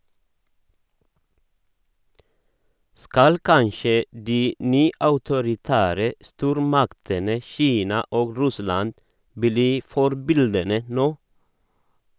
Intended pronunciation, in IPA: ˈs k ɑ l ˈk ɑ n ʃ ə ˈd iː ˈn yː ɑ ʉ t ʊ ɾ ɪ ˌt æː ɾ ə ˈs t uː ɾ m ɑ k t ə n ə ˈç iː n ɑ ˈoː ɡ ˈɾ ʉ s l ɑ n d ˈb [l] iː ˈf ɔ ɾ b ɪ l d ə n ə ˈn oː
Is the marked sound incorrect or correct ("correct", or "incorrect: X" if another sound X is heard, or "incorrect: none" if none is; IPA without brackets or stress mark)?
correct